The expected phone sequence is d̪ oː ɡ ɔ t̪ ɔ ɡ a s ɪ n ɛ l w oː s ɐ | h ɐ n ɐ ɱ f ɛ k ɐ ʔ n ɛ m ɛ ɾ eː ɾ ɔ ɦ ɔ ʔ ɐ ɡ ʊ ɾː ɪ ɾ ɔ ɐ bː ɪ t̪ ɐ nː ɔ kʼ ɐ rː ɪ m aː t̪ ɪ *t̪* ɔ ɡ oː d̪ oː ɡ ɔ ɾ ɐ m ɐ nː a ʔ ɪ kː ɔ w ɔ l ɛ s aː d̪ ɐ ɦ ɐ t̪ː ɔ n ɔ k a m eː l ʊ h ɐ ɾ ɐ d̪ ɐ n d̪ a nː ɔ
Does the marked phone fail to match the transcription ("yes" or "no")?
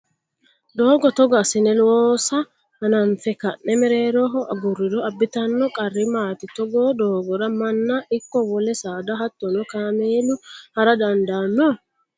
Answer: no